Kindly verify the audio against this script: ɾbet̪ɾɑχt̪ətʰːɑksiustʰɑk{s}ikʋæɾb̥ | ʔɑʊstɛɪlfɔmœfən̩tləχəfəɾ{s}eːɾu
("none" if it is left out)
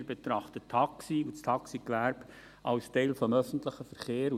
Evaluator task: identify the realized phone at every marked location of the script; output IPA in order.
s, χ

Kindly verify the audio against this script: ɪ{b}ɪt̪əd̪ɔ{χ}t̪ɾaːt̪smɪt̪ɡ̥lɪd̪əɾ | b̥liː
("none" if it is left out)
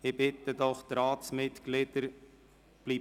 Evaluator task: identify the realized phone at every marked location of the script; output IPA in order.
b, χ

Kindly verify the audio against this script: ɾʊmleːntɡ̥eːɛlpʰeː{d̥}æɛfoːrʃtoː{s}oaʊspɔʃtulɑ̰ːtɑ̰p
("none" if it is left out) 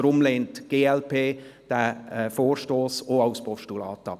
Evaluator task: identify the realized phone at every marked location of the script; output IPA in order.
d̥, s

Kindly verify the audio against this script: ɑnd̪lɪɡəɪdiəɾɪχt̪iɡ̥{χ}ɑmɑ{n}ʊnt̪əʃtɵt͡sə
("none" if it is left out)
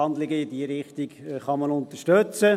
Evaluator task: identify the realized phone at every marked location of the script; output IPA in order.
χ, n

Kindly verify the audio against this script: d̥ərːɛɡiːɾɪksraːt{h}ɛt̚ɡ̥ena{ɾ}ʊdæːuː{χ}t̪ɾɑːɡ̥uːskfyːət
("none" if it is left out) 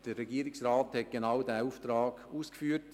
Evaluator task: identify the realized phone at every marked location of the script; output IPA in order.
h, none, f

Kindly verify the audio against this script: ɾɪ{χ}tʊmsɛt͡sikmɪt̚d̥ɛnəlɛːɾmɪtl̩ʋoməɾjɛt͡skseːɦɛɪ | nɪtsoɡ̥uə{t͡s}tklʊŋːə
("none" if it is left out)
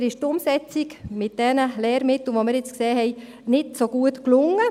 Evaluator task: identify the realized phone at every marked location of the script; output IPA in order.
ʃ, none

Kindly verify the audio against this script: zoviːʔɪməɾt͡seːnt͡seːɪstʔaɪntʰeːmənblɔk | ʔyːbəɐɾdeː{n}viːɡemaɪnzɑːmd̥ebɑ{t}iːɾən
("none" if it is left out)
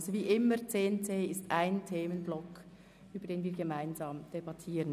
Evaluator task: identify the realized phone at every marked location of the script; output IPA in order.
n, tʰ

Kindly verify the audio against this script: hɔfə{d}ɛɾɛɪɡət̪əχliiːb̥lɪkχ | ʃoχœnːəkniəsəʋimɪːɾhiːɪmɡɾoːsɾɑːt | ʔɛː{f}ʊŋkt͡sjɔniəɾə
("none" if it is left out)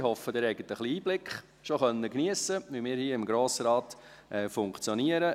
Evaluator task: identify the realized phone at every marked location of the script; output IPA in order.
d, f

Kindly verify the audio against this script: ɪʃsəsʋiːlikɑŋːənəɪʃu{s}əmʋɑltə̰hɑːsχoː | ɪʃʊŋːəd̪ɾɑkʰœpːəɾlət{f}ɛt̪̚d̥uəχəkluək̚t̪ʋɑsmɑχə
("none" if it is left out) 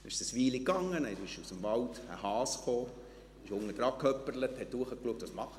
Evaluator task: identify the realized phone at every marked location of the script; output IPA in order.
s, h

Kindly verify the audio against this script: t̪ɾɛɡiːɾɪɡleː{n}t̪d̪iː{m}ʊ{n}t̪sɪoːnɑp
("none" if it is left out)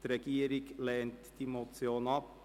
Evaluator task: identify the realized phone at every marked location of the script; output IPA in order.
n, m, none

